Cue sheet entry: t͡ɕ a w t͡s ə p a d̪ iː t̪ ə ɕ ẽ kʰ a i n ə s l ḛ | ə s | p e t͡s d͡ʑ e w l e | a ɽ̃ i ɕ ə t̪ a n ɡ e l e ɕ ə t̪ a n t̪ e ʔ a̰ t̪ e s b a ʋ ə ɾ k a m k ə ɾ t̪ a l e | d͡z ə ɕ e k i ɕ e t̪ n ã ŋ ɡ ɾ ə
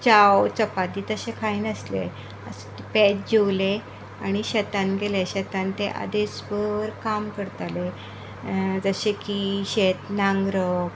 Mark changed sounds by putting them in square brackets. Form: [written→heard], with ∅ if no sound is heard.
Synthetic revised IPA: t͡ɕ a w t͡s ə p a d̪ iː t̪ ə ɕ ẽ kʰ a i n ə s l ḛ | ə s | p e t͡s d͡ʑ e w l e | a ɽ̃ i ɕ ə t̪ a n ɡ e l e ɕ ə t̪ a n t̪ e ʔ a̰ [t̪→d̪] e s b [a→ə] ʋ ə ɾ k a m k ə ɾ t̪ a l e | d͡z ə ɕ e k i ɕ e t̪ n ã ŋ ɡ ɾ ə